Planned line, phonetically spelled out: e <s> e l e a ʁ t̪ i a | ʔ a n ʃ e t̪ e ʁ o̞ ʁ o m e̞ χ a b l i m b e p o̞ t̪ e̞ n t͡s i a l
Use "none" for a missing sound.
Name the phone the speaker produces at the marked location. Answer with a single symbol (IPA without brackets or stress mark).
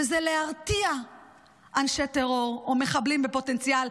z